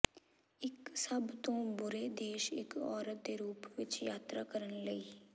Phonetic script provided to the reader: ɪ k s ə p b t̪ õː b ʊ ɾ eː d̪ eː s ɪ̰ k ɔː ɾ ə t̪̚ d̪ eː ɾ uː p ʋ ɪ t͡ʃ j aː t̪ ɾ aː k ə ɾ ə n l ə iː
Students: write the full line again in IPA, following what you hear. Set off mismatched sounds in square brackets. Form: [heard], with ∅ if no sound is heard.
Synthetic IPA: ɪ k s ə [∅] b t̪ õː b ʊ ɾ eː d̪ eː [ʃ] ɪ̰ k ɔː ɾ ə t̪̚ d̪ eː ɾ uː p ʋ ɪ t͡ʃ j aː t̪ ɾ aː k ə ɾ ə n l ə iː